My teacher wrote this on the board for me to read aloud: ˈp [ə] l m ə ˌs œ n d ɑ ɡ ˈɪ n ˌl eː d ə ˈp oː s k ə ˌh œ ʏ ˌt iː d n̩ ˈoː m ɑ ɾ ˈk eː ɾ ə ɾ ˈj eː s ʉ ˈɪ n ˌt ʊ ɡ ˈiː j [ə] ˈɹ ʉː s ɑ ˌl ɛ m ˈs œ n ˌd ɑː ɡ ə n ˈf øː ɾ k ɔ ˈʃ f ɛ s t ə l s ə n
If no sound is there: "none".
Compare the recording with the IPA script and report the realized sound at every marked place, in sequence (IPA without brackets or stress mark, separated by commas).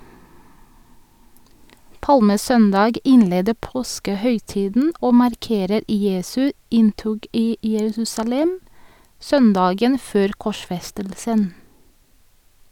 ɑ, ə